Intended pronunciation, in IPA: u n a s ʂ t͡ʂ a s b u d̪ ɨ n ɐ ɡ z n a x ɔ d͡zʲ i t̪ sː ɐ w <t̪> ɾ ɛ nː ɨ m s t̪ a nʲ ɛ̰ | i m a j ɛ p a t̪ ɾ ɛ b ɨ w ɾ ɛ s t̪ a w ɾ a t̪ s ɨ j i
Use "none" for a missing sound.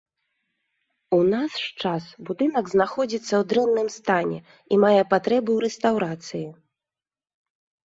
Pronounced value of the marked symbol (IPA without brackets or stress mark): d̪